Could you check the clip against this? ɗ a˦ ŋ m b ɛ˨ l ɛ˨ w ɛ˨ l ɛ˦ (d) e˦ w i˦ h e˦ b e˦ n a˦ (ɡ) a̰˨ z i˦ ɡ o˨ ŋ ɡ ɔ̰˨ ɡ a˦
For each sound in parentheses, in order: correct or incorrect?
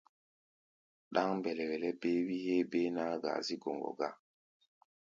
incorrect: b, correct

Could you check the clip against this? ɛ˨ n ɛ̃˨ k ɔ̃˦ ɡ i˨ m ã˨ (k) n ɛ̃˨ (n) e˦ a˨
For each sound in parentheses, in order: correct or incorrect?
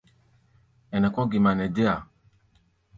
incorrect: none, incorrect: d

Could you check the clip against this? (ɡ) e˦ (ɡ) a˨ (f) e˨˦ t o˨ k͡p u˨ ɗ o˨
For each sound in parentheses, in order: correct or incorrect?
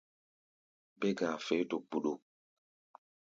incorrect: b, correct, correct

